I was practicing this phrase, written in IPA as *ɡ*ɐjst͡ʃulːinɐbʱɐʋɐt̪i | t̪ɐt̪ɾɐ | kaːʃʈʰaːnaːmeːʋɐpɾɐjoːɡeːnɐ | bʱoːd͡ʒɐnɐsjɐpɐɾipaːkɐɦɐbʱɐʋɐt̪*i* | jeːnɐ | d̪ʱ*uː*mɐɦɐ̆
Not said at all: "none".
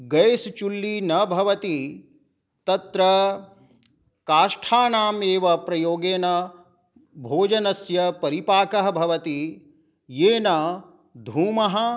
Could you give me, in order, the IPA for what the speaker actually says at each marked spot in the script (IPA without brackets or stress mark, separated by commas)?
ɡ, i, uː